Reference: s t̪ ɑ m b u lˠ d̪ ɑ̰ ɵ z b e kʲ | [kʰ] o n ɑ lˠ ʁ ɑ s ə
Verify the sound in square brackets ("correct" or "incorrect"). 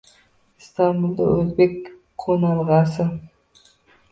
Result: incorrect